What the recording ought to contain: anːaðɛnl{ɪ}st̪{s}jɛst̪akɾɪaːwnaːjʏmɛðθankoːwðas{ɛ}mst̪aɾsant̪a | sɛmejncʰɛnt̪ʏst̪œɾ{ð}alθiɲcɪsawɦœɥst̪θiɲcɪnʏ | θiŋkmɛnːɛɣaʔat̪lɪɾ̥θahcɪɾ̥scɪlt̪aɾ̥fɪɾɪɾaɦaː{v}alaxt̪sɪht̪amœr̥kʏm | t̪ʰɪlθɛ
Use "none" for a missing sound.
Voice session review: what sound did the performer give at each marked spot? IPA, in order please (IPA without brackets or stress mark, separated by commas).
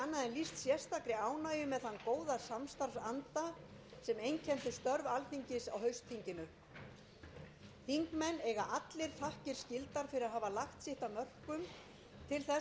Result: i, s, a, v, v